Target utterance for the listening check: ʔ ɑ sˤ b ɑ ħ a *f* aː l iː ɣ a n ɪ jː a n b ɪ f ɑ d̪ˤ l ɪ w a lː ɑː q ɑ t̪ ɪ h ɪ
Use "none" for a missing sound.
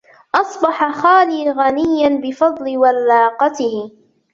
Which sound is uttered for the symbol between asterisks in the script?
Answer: x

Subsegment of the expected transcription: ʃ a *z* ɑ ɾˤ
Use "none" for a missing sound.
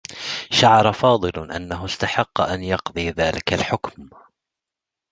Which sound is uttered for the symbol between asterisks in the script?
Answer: ʕ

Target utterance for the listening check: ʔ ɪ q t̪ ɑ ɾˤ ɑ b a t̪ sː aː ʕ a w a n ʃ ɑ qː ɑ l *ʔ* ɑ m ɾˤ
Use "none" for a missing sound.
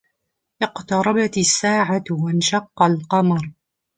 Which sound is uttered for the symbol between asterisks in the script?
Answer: q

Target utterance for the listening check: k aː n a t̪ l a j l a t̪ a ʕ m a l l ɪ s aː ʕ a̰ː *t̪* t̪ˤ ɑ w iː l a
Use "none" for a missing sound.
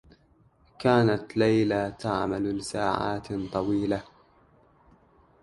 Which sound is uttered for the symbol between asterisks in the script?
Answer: t̪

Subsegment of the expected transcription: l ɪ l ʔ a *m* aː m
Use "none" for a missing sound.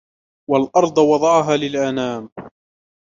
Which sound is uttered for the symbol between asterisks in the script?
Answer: n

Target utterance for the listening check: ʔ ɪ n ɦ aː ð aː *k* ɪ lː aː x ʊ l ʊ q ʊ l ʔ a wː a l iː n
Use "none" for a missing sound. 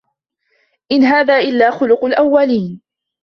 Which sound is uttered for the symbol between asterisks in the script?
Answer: ʔ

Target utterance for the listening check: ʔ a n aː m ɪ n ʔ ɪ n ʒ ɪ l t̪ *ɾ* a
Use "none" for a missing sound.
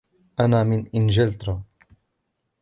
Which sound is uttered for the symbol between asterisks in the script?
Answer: ɾ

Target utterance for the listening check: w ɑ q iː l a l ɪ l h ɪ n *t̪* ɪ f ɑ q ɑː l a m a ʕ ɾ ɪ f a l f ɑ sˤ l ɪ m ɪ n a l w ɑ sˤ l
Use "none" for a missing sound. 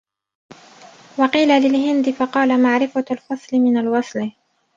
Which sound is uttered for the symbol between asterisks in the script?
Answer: d̪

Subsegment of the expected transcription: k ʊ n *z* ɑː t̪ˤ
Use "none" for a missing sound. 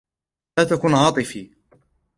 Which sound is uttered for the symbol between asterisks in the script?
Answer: ʕ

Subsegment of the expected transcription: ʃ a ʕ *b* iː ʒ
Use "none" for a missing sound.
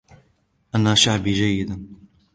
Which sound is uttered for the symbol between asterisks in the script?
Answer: b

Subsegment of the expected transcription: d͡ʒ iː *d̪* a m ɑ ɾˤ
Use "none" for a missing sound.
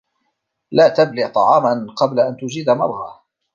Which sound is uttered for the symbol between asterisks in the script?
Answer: d̪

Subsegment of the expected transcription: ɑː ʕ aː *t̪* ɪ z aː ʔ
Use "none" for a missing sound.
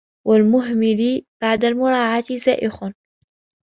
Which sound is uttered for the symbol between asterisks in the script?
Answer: t̪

